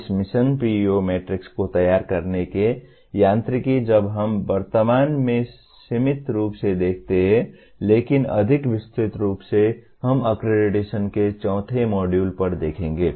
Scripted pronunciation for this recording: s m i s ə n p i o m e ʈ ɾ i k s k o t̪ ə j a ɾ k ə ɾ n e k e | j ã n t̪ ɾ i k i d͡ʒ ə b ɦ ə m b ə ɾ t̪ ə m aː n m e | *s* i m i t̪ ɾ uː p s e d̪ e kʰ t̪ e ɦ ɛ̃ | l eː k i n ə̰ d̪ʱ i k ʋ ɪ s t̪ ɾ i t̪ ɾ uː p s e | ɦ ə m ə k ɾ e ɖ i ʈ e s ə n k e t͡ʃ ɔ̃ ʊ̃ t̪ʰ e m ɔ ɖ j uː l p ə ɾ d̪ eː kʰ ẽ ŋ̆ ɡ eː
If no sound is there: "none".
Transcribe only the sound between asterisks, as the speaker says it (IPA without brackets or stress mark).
s